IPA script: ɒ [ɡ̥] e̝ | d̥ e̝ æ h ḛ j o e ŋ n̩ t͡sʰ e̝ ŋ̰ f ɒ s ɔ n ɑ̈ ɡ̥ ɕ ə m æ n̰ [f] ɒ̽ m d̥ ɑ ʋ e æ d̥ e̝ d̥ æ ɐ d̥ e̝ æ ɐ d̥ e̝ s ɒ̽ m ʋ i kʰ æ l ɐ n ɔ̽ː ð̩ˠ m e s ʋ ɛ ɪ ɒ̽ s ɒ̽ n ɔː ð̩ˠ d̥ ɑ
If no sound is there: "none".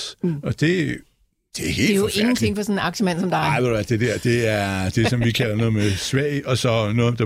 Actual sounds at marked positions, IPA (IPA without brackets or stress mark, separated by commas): d̥, s